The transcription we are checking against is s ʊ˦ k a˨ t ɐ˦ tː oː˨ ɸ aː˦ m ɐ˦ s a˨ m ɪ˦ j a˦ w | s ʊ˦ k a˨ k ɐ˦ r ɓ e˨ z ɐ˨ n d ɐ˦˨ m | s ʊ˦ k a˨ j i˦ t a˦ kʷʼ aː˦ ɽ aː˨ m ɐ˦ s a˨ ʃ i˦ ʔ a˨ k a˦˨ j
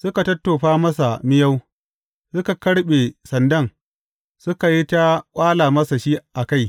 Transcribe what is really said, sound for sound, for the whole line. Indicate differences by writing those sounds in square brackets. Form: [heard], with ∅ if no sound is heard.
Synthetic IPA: s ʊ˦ k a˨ t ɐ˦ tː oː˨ ɸ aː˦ m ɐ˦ s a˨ m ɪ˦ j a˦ w | s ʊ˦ k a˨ k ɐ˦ [ɽ] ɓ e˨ [s] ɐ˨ n d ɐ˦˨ [ŋ] | s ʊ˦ k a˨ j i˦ t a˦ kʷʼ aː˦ [l] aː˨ m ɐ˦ s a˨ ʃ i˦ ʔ a˨ k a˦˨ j